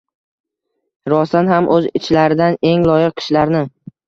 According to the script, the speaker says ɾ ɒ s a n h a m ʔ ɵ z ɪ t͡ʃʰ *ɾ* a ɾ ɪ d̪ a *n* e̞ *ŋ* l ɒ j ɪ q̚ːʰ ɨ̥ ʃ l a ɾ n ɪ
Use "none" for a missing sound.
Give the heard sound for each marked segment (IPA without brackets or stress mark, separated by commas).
l, n, ŋ